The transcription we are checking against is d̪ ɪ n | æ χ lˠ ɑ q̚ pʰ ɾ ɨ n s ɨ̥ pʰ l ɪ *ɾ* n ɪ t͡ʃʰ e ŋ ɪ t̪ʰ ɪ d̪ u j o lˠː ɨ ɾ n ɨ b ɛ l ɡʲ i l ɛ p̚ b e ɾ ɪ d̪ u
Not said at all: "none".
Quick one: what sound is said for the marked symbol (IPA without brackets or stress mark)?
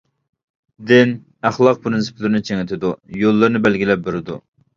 ɾ